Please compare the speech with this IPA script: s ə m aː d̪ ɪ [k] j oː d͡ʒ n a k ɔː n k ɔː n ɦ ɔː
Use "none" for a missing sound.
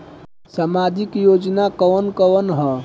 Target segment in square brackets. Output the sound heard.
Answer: k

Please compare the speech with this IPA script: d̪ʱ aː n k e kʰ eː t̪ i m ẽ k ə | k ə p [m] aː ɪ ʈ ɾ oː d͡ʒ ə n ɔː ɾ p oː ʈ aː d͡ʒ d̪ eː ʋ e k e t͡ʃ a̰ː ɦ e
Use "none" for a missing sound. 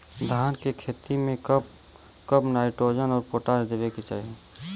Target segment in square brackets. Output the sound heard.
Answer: n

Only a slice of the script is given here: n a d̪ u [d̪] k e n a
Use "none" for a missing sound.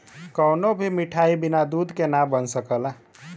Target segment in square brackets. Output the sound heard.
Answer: d̪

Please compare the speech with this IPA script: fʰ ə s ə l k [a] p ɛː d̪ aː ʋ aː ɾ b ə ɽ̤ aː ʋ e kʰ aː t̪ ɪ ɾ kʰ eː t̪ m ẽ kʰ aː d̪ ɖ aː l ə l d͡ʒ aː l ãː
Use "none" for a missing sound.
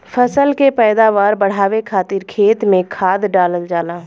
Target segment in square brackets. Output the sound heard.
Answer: e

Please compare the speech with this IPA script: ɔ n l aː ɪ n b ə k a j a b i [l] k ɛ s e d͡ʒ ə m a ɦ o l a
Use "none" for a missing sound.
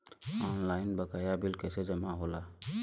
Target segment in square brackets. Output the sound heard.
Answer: l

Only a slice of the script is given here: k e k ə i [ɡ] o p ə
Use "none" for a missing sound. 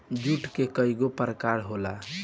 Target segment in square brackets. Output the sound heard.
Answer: ɡ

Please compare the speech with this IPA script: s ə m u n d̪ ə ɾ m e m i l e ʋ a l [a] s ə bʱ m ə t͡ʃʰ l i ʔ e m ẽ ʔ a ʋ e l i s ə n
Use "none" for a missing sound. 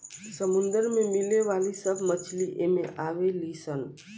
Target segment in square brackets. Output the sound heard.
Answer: i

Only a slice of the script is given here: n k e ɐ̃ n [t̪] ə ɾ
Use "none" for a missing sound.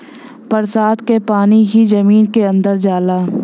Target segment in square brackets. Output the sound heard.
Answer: d̪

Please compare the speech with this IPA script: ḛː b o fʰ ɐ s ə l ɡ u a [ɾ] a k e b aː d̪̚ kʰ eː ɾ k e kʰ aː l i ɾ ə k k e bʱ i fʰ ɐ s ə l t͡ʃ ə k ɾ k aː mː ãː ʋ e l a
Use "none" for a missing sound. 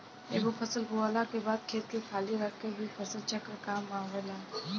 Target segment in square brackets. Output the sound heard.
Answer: l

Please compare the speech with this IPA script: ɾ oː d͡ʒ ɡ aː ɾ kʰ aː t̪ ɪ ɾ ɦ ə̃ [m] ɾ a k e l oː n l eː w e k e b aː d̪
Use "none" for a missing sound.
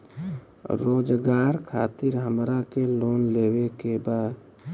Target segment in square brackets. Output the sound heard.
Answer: m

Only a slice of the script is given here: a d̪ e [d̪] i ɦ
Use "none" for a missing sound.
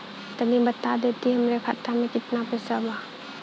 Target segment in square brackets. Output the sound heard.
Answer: t̪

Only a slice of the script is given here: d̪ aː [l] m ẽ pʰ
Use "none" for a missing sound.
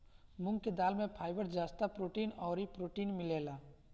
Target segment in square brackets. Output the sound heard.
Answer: l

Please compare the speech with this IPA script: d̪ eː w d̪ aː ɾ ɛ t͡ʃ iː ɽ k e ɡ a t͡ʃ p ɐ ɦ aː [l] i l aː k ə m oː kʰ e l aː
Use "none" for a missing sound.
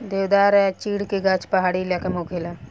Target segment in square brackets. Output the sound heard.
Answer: ɽ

